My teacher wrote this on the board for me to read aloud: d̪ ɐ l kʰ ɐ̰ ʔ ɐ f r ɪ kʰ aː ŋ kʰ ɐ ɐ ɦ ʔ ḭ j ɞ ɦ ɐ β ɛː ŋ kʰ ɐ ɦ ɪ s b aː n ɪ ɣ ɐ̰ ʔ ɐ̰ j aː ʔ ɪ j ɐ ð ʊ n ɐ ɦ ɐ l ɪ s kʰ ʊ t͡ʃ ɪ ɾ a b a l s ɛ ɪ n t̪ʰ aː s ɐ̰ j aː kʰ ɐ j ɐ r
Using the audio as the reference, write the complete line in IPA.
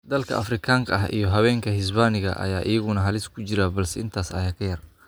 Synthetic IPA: d̪ ɐ l kʰ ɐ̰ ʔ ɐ f r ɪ kʰ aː ŋ kʰ ɐ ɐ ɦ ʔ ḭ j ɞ ɦ ɐ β ɛː ŋ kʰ ɐ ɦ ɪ s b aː n ɪ ɣ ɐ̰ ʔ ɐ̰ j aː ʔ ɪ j ɐ ɣ ʊ n ɐ ɦ ɐ l ɪ s kʰ ʊ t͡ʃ ɪ ɾ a b ɐ l s ɛ ɪ n t̪ʰ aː s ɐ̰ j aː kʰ ɐ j ɐ r